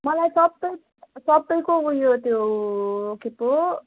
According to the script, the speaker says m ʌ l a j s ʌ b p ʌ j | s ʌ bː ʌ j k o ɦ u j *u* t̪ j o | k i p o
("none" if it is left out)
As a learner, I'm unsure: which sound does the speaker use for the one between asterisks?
o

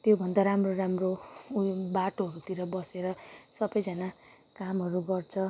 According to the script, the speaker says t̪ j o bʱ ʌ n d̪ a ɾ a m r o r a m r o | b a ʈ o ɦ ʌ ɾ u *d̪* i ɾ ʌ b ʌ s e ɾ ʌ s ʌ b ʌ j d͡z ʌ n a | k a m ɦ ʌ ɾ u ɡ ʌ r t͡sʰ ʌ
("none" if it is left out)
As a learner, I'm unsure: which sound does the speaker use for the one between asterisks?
t̪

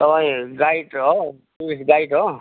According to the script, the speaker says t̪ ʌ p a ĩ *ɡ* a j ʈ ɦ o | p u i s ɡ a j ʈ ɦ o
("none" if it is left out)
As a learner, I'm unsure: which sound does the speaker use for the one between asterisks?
ɡ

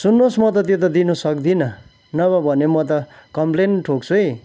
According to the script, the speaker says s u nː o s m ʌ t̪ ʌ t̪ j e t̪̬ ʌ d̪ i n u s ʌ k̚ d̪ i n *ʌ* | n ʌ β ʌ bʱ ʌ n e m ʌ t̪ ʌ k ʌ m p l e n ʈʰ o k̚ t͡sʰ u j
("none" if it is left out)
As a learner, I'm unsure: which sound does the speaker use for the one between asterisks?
ʌ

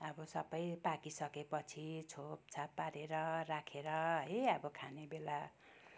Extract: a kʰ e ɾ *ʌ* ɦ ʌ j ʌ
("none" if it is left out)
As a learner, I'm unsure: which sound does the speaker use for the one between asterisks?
ʌ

